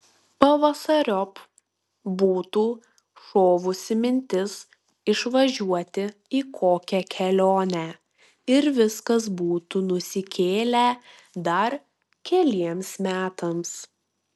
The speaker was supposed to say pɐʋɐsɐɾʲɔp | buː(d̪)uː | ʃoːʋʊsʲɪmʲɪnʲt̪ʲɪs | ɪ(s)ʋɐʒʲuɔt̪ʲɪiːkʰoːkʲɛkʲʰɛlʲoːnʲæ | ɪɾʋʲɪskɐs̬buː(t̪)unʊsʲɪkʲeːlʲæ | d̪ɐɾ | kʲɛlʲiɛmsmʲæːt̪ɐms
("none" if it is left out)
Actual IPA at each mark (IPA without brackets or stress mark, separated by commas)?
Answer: t̪, ʃ, t̪